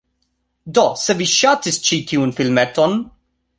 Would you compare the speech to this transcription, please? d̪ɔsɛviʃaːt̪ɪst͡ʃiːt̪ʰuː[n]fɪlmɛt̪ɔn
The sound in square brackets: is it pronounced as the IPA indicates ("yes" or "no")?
yes